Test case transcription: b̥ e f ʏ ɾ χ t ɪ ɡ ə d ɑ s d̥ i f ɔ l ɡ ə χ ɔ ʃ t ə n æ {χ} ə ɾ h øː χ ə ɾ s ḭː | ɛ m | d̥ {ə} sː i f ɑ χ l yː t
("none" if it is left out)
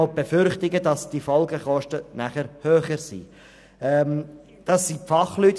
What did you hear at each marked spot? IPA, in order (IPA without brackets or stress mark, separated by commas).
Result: χ, ɑ